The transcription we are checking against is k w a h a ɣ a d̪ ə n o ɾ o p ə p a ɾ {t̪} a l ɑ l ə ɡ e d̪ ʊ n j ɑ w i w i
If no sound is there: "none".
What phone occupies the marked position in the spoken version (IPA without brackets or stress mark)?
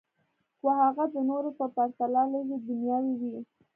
t̪